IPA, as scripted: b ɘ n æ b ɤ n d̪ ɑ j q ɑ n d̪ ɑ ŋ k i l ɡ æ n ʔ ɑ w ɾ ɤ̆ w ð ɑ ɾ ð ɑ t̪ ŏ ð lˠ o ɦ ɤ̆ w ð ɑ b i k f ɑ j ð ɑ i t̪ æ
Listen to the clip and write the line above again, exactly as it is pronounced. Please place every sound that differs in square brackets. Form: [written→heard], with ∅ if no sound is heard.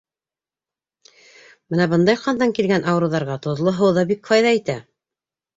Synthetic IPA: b ɘ n æ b ɤ n d̪ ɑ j q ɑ n d̪ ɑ ŋ k i l ɡ æ n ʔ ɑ w ɾ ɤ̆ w ð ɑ ɾ [ð→ʁ] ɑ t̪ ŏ ð lˠ o ɦ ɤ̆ w ð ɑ b i k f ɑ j ð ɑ i t̪ æ